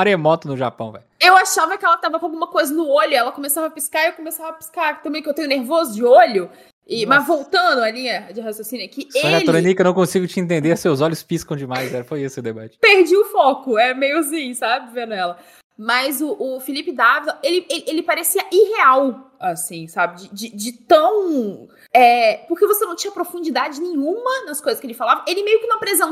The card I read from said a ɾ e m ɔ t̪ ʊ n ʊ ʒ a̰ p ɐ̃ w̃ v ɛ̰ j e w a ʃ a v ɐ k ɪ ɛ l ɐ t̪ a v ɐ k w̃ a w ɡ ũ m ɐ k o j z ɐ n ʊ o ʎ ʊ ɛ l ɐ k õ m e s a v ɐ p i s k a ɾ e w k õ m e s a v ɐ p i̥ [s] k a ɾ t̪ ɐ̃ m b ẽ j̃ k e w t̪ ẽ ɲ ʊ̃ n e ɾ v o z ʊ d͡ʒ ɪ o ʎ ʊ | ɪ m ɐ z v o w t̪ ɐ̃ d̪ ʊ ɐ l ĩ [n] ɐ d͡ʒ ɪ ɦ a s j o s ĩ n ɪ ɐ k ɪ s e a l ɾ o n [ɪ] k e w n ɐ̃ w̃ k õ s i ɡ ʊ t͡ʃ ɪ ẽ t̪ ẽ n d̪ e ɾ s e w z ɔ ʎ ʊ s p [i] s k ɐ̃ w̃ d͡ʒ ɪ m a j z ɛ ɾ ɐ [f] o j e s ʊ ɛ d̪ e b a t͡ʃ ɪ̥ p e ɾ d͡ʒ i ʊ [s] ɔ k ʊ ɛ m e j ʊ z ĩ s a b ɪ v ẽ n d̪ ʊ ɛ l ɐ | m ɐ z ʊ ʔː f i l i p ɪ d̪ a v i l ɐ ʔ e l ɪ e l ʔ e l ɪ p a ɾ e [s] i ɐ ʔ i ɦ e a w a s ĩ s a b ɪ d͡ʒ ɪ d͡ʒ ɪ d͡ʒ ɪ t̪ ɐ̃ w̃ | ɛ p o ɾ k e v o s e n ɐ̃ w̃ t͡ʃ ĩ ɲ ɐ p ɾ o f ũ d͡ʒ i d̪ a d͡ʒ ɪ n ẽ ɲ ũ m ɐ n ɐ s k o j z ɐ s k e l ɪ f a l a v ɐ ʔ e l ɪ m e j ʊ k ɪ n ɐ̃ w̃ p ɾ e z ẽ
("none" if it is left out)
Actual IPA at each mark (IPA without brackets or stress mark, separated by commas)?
s, ɲ, i, i, f, f, s